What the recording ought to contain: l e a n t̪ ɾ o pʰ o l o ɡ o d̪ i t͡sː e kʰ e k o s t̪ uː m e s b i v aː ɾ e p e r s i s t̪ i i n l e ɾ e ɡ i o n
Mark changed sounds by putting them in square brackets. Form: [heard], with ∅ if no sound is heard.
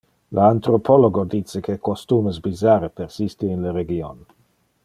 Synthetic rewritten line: l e a n t̪ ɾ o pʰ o l o ɡ o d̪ i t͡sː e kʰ e k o s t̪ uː m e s b i [z] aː ɾ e p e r s i s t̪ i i n l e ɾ e ɡ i o n

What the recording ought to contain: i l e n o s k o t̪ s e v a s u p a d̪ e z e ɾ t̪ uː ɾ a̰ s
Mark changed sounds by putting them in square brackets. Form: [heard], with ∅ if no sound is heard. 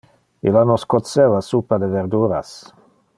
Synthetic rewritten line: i l [a] n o s k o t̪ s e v a s u p a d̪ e [v] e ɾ [d̪] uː ɾ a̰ s

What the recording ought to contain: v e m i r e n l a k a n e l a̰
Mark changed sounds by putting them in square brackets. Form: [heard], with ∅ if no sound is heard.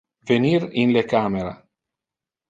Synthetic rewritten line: v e [n] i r [i] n l [e] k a [m] e [ɾ] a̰

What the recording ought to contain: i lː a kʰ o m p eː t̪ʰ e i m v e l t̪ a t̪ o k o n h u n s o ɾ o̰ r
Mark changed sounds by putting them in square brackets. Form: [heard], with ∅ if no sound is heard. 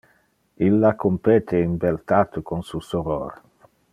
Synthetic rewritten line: i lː a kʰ o m p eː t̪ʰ e i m [b] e l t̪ a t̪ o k o n [s] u [∅] s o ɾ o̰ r

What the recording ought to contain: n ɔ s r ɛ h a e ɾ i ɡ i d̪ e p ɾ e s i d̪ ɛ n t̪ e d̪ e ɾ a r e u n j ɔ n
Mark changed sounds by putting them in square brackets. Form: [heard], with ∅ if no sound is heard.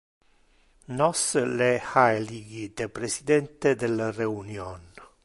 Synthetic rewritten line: n ɔ s [l] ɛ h a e [l] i ɡ i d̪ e p ɾ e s i d̪ ɛ n t̪ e d̪ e [l] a r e u n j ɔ n

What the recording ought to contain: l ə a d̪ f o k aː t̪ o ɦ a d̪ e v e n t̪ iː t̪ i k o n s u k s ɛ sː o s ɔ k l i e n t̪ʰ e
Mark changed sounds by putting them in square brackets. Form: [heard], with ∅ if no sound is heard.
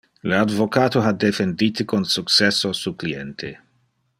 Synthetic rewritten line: l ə a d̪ [v] o k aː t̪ o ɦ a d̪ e [f] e n [d̪] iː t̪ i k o n s u k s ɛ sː o s [u] k l i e n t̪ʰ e

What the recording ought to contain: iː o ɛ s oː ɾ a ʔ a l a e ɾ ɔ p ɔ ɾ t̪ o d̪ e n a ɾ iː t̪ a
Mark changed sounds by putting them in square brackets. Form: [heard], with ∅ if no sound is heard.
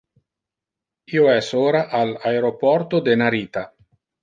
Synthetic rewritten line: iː o ɛ s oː ɾ a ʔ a l a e ɾ [o] p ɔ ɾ t̪ o d̪ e n a ɾ iː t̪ a

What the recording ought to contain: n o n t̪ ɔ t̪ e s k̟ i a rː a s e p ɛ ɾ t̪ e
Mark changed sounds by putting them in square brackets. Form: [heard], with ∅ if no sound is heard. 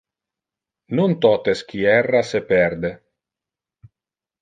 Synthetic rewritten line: n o n t̪ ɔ t̪ e s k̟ i [ɛ] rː a s e p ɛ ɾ [d̪] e

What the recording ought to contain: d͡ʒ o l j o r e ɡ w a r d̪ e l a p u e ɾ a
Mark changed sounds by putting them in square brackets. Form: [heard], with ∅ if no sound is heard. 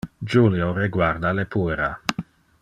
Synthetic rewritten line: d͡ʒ [u] l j o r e ɡ w a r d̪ [a] l [e] p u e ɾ a

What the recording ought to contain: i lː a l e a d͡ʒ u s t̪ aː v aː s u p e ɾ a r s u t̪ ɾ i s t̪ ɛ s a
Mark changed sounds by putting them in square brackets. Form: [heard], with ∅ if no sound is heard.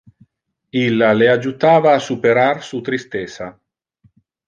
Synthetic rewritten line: i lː a l e a d͡ʒ u [∅] t̪ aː v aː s u p e ɾ a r s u t̪ ɾ i s t̪ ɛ s a

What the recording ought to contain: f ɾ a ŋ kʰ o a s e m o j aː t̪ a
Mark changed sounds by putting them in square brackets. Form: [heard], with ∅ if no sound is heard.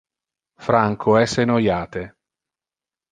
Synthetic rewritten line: f ɾ a ŋ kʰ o [ɛ] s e [n] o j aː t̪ [e]

